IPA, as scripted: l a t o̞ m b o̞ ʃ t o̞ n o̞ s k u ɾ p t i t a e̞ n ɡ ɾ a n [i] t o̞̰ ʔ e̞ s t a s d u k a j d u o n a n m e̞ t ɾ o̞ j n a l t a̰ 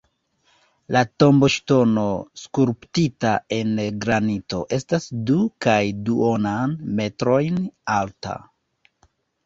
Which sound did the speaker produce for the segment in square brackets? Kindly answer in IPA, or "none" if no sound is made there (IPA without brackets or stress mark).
i